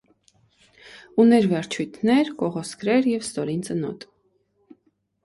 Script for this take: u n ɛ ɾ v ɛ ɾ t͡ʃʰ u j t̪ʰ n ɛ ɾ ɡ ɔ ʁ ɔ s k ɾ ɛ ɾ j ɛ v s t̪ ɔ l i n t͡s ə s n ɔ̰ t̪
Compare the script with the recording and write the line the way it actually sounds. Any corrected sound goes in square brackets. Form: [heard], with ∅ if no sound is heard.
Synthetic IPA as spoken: u n ɛ ɾ v ɛ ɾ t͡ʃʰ u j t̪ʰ n ɛ ɾ [k] ɔ ʁ ɔ s k ɾ ɛ ɾ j ɛ v s t̪ ɔ [ɾ] i n t͡s ə [∅] n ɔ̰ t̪